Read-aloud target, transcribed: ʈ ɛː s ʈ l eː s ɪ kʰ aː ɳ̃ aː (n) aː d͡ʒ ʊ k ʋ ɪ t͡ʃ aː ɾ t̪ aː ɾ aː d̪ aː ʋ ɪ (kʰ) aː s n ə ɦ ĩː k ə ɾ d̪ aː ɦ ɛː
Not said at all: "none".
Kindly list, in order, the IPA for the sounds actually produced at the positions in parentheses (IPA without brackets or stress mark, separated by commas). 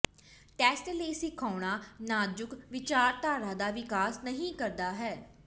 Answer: n, k